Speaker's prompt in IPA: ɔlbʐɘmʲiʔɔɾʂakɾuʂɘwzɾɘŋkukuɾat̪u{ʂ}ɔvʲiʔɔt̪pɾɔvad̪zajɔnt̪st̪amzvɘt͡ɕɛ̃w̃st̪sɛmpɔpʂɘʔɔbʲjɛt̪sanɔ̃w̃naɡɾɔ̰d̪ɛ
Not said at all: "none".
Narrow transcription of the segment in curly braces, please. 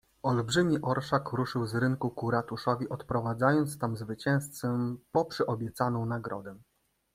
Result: ʂ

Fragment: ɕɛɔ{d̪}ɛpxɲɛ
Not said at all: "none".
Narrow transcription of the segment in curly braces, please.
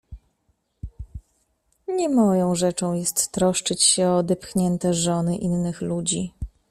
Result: d̪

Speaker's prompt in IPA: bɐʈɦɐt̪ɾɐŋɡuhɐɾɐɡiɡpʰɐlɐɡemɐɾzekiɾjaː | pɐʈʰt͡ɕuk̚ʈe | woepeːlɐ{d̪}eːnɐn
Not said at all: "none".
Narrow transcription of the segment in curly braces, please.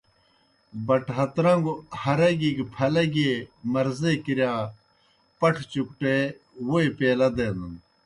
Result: d̪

